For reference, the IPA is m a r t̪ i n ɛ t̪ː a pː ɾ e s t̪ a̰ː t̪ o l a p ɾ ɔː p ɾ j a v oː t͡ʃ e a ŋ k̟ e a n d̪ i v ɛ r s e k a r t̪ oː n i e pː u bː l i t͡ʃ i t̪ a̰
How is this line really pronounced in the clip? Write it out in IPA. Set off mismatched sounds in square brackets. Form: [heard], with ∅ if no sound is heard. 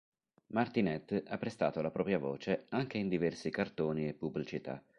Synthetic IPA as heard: m a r t̪ i n ɛ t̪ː a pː ɾ e s t̪ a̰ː t̪ o l a p ɾ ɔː p ɾ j a v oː t͡ʃ e a ŋ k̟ e [i] n d̪ i v ɛ r s [i] k a r t̪ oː n i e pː u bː l i t͡ʃ i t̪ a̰